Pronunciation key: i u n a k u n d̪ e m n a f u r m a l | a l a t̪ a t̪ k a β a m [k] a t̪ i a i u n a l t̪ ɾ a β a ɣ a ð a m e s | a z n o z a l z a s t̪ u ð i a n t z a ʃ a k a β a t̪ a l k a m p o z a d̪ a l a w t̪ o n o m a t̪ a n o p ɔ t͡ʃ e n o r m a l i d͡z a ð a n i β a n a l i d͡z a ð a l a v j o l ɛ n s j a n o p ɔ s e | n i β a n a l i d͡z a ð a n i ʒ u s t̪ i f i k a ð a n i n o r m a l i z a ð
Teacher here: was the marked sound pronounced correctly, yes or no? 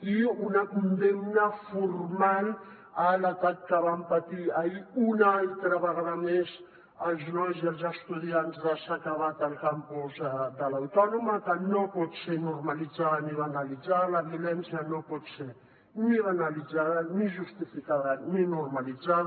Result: no